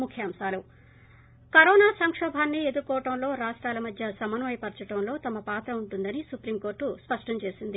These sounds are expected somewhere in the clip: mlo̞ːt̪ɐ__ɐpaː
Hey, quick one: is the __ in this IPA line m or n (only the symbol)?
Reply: m